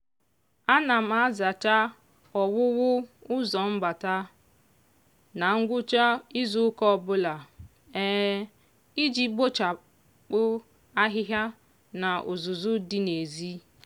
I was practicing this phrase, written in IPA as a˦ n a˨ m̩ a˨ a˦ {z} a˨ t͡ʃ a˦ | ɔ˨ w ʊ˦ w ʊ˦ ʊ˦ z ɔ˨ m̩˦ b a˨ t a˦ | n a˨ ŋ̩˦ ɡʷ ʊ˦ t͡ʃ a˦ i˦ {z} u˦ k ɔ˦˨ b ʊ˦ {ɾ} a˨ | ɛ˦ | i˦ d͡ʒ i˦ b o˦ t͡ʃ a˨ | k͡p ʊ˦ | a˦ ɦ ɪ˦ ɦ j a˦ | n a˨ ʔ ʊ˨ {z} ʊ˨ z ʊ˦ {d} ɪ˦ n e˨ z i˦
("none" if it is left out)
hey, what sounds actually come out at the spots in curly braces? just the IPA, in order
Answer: z, z, l, z, d

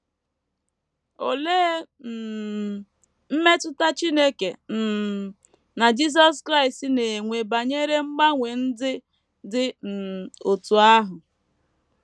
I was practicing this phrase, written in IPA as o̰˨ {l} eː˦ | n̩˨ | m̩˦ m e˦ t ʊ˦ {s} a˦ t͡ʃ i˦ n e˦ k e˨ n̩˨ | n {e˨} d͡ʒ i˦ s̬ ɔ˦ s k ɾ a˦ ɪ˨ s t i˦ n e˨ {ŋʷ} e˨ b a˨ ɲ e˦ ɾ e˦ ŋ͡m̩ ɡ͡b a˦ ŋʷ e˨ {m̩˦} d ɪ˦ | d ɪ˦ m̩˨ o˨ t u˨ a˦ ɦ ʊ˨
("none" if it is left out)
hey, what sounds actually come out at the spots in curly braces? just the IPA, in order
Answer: l, t, a˨, ŋʷ, n̩˦

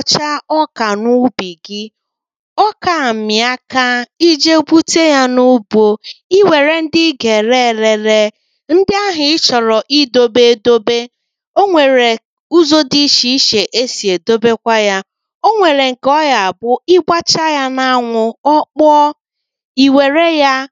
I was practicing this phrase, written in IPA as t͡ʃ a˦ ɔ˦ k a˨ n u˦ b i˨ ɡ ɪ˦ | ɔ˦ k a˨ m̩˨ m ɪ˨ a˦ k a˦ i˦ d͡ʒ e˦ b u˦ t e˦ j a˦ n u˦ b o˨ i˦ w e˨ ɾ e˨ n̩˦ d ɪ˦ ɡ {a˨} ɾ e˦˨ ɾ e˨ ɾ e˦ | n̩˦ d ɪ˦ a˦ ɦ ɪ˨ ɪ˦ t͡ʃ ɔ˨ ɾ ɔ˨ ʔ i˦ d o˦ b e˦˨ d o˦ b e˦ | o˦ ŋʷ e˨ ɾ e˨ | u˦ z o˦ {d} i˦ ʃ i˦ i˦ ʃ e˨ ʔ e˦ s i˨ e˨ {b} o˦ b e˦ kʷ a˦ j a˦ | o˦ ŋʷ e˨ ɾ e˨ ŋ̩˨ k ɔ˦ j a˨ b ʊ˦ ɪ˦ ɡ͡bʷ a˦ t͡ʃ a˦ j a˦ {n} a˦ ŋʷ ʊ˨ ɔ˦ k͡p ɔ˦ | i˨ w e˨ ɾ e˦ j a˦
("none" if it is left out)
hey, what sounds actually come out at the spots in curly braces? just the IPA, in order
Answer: e˨, d, d, n

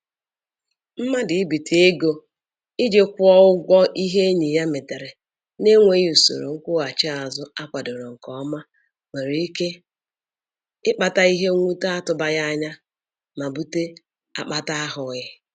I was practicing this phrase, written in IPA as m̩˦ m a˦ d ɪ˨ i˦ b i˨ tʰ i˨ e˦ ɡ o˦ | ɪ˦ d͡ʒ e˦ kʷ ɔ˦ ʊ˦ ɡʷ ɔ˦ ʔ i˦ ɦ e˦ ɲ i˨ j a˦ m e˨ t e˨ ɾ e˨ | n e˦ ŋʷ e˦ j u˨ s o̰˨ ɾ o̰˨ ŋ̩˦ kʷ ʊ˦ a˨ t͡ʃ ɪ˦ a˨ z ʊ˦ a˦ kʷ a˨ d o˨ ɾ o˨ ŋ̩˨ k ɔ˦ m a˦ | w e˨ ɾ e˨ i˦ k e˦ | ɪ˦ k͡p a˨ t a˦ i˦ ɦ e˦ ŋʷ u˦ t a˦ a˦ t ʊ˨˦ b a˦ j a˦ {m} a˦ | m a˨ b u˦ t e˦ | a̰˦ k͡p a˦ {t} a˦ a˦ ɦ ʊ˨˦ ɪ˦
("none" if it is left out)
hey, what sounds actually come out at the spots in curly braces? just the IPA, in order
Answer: ɲ, t

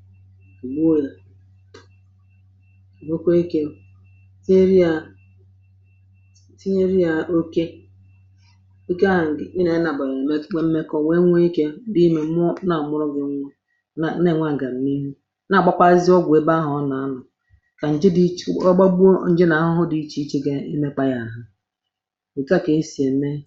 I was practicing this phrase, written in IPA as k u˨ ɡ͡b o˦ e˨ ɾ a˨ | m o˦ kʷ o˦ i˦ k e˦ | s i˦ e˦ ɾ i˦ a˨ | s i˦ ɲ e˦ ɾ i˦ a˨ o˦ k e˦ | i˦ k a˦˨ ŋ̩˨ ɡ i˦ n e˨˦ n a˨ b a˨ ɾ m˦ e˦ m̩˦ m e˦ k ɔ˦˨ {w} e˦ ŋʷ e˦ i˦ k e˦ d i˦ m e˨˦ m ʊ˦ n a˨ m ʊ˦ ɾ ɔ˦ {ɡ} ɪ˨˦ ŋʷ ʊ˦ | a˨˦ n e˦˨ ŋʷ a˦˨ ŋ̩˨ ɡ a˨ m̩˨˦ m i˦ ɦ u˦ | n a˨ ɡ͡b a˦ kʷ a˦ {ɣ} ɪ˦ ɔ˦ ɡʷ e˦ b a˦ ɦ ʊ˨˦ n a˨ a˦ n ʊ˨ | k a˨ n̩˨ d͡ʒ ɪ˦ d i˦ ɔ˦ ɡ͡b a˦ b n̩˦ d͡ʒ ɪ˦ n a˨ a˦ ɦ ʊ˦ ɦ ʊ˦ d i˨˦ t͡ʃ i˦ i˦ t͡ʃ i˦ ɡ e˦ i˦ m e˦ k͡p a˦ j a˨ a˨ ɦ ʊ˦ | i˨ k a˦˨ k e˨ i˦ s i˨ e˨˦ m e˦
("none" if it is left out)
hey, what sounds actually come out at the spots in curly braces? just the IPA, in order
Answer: w, ɡ, z

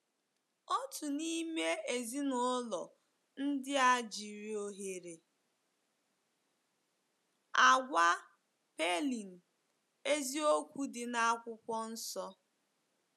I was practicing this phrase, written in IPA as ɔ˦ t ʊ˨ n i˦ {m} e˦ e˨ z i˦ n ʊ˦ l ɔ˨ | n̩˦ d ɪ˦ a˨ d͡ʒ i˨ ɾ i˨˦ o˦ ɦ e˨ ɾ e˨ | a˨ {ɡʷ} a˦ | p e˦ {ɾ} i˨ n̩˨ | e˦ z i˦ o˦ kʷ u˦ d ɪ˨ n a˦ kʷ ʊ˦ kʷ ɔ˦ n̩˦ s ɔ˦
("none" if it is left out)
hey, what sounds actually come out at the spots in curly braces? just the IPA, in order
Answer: m, ɡʷ, l

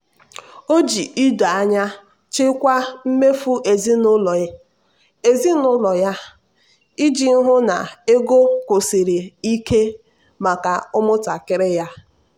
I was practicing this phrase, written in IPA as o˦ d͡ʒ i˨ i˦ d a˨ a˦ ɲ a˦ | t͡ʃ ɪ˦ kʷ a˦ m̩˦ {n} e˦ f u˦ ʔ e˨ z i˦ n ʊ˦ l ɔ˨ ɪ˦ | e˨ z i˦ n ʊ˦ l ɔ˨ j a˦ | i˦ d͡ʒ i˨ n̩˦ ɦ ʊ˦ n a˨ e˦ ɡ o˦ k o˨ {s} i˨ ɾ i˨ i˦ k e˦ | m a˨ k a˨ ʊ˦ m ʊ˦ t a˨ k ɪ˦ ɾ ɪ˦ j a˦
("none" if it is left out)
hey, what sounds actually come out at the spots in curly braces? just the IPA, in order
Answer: m, s

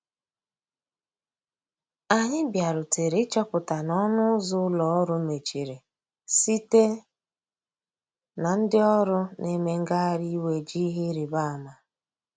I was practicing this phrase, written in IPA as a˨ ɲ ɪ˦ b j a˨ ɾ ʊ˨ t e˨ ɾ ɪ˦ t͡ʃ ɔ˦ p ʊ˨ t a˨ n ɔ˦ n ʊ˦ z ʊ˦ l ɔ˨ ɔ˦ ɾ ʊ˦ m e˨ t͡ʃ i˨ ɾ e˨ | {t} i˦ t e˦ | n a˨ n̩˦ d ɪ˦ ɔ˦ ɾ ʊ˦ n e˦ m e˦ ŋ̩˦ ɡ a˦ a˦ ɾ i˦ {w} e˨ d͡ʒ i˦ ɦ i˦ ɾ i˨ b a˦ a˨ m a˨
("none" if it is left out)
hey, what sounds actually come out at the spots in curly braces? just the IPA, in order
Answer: s, w

